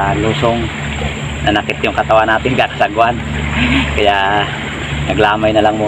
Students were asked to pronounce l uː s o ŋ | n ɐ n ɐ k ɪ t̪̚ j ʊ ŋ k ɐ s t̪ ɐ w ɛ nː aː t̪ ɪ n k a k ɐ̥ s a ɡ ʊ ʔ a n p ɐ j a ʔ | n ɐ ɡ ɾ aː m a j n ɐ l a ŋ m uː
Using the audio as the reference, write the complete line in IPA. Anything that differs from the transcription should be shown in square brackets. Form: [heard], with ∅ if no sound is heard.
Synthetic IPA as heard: l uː s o ŋ | n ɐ n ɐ k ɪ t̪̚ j ʊ ŋ k ɐ [∅] t̪ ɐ w [a] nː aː t̪ ɪ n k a k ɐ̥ s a ɡ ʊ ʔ a n [k] ɐ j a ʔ | n ɐ ɡ [l] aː m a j n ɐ l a ŋ m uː